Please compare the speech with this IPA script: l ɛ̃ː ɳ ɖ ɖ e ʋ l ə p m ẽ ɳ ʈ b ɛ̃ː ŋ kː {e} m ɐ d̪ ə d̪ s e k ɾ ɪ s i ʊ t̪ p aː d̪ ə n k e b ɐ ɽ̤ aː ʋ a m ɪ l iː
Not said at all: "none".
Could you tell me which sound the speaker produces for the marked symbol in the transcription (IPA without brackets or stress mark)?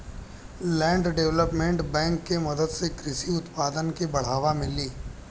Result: e